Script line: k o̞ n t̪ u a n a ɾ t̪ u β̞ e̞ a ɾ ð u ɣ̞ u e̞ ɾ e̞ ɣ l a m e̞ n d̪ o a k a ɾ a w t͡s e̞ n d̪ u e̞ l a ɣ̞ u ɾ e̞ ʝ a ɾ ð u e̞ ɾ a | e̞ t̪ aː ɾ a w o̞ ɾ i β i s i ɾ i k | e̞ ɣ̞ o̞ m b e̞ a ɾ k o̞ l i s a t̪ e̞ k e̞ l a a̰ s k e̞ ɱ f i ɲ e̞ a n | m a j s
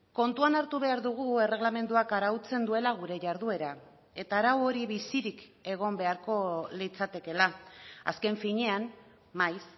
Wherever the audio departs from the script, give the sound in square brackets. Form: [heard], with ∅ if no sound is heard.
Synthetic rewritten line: k o̞ n t̪ u a n a ɾ t̪ u β̞ e̞ a ɾ ð u ɣ̞ u e̞ [r] e̞ ɣ l a m e̞ n d̪ [u] a k a ɾ a w t͡s e̞ n d̪ u e̞ l a ɣ̞ u ɾ e̞ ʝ a ɾ ð u e̞ ɾ a | e̞ t̪ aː ɾ a w o̞ ɾ i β i s i ɾ i k | e̞ ɣ̞ o̞ m b e̞ a ɾ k o̞ l i [t͡s] a t̪ e̞ k e̞ l a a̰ s k e̞ ɱ f i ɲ e̞ a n | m a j s